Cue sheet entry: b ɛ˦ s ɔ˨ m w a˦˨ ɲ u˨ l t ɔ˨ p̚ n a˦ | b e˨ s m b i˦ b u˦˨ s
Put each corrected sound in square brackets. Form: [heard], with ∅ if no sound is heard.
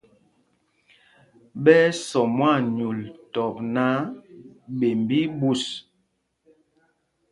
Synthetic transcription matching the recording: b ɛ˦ s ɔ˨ m w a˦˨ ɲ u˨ l t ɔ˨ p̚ n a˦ | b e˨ [∅] m b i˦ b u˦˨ s